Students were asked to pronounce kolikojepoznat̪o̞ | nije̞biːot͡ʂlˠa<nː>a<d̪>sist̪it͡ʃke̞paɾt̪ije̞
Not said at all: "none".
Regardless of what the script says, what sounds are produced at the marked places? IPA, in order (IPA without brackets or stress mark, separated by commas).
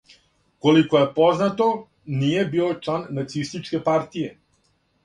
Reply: nː, t̪